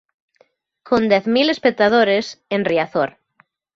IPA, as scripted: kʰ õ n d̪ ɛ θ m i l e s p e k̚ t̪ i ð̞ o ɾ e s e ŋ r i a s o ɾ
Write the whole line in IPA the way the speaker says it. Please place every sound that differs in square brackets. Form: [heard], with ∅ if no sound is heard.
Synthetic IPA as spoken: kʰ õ n d̪ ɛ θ m i l e s p e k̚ t̪ [a] ð̞ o ɾ e s e [n] r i a [θ] o ɾ